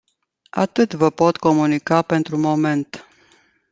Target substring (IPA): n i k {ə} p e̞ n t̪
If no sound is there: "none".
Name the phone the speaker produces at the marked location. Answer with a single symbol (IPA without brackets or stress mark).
a